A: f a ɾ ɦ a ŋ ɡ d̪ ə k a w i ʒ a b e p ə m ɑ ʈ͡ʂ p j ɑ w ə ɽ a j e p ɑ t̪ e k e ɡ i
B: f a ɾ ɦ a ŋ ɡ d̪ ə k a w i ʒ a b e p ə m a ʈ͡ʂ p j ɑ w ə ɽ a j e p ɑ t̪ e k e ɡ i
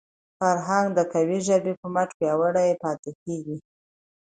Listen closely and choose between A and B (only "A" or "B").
B